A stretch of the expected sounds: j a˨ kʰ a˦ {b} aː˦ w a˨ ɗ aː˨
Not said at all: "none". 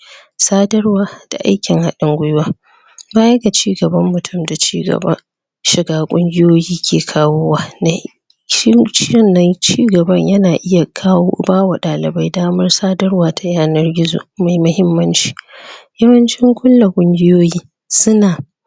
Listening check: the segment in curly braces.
b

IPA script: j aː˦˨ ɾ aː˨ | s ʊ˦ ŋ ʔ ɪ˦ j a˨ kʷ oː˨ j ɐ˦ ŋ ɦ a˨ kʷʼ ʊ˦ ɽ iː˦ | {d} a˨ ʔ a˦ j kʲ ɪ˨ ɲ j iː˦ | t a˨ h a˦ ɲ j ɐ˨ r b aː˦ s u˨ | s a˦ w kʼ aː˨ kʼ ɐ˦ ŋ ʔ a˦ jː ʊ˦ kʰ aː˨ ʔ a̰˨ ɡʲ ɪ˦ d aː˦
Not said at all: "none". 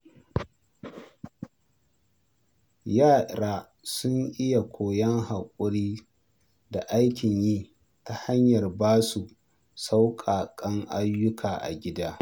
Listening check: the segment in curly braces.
d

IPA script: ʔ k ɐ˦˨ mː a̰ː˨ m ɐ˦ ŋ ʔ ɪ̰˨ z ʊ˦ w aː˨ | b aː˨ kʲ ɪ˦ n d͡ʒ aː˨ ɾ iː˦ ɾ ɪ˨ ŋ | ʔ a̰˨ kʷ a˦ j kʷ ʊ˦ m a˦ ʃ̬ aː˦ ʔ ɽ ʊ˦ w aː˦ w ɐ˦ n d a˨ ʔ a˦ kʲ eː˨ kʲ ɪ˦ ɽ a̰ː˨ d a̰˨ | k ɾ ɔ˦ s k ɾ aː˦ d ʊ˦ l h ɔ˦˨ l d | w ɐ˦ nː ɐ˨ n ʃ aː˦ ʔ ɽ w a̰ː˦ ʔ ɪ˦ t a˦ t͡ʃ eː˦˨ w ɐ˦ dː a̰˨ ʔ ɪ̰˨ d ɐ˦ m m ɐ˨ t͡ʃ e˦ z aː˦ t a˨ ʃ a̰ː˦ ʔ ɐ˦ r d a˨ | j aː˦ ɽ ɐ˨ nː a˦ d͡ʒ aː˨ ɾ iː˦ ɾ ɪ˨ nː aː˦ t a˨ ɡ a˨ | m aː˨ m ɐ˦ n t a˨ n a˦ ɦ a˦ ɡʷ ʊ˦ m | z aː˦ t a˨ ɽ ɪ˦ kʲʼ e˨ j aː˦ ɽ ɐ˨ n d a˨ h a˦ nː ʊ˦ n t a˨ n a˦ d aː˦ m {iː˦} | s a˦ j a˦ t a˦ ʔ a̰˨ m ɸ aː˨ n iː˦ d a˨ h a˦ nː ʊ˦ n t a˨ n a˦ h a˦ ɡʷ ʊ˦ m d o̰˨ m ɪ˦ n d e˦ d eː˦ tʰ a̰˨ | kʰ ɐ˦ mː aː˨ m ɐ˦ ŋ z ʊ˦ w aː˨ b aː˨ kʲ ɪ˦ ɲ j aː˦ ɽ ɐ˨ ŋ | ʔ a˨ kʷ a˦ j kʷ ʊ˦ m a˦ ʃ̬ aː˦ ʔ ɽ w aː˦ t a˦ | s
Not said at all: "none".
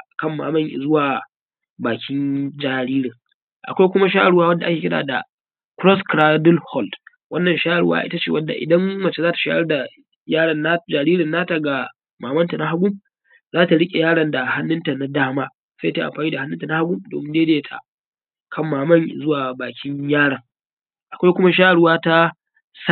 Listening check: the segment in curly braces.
aː˦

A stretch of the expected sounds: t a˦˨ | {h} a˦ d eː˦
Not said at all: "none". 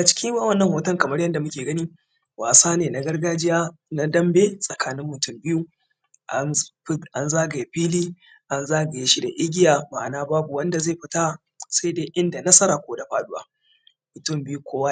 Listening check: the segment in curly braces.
s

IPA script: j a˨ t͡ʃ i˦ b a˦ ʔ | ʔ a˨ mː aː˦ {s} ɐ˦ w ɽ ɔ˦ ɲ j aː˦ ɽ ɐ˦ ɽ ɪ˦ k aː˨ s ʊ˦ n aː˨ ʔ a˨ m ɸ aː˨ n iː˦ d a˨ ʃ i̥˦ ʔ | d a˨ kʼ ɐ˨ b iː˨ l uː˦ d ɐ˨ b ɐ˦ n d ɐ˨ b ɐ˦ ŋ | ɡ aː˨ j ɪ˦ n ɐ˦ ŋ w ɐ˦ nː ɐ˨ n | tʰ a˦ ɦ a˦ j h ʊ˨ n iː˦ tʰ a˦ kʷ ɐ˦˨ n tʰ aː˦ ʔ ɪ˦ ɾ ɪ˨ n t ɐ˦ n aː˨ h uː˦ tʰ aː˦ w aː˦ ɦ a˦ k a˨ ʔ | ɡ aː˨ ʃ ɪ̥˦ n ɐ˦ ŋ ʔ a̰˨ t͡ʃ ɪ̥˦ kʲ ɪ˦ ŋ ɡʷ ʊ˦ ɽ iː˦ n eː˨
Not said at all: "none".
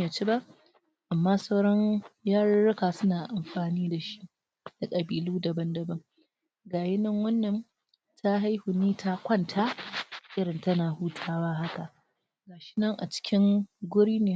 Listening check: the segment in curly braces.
s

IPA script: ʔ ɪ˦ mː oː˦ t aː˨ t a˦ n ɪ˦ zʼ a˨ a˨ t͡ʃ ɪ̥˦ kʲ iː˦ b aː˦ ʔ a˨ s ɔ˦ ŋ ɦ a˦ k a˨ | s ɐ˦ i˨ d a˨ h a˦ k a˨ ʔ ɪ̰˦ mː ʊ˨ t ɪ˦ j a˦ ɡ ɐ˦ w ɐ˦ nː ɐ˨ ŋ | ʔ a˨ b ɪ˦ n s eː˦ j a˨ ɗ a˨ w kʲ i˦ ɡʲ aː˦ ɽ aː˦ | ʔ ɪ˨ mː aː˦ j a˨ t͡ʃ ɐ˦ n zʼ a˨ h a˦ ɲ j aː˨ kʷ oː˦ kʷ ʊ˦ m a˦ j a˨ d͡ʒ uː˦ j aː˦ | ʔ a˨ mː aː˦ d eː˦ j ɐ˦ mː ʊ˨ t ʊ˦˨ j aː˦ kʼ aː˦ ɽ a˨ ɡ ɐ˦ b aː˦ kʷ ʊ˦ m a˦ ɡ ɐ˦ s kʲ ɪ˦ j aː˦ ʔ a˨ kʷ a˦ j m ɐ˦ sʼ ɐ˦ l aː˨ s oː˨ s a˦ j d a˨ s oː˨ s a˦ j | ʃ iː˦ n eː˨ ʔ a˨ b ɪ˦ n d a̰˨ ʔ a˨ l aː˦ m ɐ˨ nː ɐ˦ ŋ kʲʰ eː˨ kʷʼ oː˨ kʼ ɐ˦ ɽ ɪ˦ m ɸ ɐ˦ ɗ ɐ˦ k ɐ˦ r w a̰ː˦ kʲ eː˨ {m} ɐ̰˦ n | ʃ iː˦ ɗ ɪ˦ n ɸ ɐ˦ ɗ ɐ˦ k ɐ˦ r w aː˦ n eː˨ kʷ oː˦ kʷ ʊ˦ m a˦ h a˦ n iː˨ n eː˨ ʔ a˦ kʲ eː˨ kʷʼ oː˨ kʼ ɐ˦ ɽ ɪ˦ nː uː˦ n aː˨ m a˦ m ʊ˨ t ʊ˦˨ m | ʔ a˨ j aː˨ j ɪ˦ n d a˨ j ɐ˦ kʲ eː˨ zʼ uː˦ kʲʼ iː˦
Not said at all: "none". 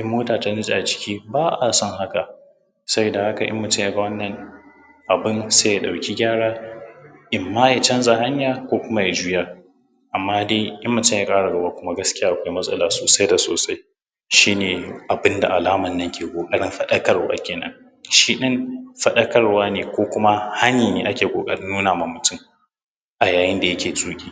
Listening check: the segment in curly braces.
n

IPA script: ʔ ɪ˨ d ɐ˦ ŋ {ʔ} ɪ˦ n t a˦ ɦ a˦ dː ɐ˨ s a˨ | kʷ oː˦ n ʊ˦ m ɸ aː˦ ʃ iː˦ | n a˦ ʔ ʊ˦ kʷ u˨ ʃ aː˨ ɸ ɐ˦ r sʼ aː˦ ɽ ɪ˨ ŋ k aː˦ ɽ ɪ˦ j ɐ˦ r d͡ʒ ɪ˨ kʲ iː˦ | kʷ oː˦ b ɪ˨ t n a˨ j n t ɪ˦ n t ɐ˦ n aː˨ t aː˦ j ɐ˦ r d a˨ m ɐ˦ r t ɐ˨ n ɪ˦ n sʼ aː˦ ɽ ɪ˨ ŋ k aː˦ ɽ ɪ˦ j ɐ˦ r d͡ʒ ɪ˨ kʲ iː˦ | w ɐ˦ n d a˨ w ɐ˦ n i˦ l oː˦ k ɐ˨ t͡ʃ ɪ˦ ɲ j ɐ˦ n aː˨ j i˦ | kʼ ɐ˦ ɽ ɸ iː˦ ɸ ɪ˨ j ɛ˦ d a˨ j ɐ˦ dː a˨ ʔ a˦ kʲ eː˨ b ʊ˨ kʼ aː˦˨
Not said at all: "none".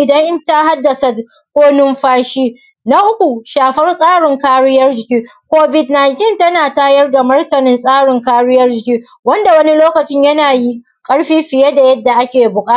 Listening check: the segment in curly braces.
ʔ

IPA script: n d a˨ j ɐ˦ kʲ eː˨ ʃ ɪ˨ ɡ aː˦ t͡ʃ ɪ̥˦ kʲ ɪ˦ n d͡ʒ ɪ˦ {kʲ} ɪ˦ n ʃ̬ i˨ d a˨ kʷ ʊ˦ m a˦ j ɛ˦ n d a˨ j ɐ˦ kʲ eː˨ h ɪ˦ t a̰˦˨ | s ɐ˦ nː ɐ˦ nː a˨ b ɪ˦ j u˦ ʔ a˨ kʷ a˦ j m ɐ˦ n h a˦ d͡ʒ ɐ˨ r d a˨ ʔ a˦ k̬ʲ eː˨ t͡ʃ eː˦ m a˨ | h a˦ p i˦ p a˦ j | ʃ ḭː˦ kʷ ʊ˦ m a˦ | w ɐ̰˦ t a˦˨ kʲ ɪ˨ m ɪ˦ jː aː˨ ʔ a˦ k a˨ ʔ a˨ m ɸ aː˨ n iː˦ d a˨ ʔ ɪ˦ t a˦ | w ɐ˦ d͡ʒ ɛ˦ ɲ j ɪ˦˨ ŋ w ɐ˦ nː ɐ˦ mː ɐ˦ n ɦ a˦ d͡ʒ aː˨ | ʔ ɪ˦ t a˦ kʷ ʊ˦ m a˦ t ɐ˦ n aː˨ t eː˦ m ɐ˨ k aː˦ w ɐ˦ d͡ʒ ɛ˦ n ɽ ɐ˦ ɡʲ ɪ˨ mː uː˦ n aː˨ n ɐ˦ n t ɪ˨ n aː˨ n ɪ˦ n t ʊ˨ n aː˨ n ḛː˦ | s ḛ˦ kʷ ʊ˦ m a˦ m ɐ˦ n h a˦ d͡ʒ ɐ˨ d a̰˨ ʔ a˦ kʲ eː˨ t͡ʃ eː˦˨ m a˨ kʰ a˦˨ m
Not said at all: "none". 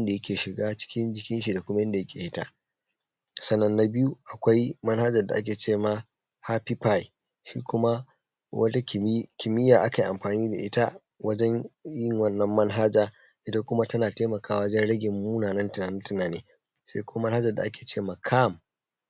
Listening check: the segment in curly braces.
kʲ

